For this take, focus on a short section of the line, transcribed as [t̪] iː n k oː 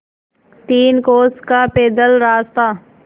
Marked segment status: correct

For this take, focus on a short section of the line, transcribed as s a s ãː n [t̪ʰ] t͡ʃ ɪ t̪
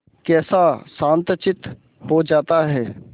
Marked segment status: incorrect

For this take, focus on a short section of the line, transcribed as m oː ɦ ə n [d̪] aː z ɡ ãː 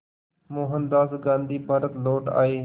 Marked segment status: correct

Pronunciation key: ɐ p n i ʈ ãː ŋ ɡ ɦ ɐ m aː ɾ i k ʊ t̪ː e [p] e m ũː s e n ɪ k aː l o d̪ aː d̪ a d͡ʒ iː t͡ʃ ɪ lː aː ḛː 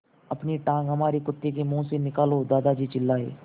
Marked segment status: incorrect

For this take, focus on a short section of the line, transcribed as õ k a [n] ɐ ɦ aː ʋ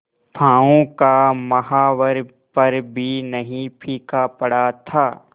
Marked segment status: incorrect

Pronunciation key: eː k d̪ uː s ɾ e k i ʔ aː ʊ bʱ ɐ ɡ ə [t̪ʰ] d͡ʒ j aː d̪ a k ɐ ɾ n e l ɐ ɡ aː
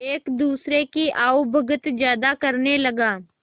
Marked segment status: incorrect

